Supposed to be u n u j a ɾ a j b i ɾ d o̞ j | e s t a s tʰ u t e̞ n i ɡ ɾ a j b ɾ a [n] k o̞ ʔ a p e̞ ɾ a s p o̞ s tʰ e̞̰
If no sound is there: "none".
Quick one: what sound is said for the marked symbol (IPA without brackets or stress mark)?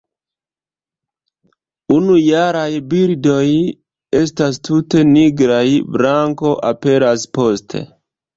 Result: ŋ